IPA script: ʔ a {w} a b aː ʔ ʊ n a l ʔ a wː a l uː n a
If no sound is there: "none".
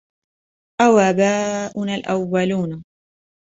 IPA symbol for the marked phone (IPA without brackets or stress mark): w